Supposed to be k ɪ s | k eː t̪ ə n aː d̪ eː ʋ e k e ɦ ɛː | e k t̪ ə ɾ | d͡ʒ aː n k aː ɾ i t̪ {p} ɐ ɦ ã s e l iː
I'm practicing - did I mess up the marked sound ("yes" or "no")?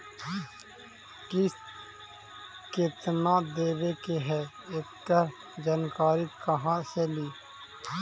yes